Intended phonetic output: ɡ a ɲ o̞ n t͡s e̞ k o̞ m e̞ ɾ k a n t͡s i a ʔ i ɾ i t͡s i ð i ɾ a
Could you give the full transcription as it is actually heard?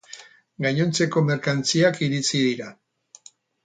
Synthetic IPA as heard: ɡ a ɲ o̞ n t͡s e̞ k o̞ m e̞ ɾ k a n t͡s i a k i ɾ i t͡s i ð i ɾ a